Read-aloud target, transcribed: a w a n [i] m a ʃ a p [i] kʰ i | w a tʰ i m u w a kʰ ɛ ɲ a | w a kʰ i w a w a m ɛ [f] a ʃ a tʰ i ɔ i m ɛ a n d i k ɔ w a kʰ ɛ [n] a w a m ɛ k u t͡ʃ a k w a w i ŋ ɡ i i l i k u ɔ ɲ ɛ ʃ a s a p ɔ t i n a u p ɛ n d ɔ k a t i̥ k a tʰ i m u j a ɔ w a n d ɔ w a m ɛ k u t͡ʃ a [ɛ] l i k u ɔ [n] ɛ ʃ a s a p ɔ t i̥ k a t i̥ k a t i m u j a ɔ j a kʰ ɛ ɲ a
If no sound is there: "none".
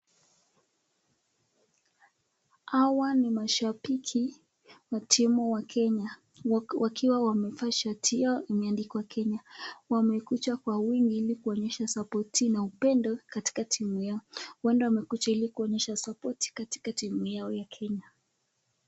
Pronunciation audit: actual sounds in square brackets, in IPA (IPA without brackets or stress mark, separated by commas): i, i, f, ɲ, i, ɲ